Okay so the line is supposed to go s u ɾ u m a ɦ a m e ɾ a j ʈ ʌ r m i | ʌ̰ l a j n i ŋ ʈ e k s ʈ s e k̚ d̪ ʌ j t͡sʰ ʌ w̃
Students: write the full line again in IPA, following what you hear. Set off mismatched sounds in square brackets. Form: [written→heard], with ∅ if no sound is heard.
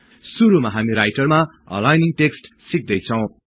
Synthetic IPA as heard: s u ɾ u m a ɦ a m [e→i] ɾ a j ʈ ʌ r m [i→a] | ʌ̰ l a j n i ŋ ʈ e k s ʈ s [e→i] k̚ d̪ ʌ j t͡sʰ ʌ w̃